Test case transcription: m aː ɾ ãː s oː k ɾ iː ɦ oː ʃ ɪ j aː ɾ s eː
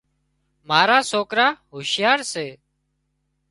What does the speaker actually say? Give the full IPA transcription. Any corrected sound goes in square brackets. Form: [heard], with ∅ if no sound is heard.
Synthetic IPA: m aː ɾ [aː] s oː k ɾ [aː] ɦ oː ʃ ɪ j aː ɾ s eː